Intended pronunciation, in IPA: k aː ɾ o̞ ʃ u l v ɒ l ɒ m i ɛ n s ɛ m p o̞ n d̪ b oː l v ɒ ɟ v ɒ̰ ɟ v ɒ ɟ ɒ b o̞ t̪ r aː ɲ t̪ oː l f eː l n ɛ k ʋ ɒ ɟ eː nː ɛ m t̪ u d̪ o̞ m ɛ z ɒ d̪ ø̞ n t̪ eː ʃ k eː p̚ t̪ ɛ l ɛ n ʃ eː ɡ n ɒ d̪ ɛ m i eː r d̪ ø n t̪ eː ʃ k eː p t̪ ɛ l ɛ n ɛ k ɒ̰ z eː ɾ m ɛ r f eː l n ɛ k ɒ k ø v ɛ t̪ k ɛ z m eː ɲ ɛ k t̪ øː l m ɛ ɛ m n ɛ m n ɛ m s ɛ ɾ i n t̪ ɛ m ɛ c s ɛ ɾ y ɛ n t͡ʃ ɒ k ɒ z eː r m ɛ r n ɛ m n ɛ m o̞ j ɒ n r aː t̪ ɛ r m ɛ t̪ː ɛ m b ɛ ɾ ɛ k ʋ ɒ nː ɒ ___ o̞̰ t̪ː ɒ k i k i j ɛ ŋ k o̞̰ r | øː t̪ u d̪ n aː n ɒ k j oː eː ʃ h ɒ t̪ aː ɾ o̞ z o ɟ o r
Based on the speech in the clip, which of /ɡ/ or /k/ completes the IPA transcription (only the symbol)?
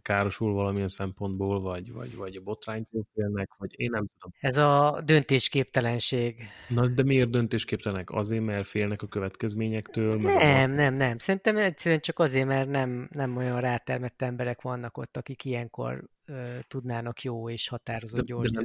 k